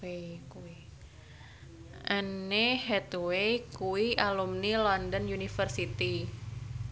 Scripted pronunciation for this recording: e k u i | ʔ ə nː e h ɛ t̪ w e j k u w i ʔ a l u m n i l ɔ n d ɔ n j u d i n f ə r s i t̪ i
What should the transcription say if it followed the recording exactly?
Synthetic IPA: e k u i | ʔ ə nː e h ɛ t̪ w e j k u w i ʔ a l u m n i l ɔ n d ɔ n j u n i f ə r s i t̪ i